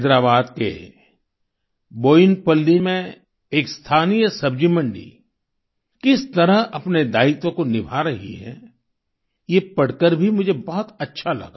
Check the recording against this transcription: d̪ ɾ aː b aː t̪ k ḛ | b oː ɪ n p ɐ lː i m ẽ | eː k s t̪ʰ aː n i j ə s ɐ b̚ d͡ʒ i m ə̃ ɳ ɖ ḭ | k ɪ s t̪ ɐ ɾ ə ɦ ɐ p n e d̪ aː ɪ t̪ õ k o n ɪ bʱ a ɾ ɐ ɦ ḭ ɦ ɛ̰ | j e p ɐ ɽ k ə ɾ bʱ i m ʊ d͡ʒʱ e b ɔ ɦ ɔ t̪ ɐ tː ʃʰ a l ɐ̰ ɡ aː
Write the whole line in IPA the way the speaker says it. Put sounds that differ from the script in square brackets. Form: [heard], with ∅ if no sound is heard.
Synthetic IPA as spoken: d̪ ɾ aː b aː [d̪] k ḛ | b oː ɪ n p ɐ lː i m ẽ | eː k s t̪ʰ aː n i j ə s ɐ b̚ d͡ʒ i m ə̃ ɳ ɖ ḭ | k ɪ s t̪ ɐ ɾ ə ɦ ɐ p n e d̪ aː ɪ t̪ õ k o n ɪ bʱ a ɾ ɐ ɦ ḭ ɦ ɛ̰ | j e p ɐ ɽ k ə ɾ bʱ i m ʊ d͡ʒʱ e b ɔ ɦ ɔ t̪ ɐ tː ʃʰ a l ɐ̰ ɡ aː